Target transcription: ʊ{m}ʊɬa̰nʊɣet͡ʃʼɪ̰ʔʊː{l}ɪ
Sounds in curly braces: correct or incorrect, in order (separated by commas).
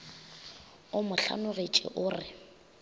correct, incorrect